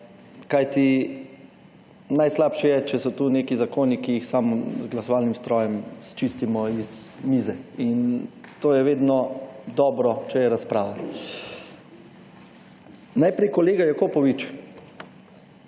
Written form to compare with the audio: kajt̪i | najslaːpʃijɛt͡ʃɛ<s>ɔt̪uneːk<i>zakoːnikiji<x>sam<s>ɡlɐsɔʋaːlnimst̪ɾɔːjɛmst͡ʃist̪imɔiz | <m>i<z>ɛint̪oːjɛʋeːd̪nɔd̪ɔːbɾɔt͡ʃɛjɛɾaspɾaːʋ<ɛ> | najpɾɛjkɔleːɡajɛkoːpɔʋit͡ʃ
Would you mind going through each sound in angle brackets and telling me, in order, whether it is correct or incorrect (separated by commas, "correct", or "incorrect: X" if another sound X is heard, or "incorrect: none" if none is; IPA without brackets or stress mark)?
correct, correct, correct, incorrect: z, correct, correct, incorrect: a